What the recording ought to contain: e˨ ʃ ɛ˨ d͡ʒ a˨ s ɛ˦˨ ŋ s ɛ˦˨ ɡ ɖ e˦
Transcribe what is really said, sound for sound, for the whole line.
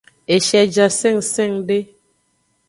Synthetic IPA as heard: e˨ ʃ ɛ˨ d͡ʒ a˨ s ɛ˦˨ ŋ s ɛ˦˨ ŋ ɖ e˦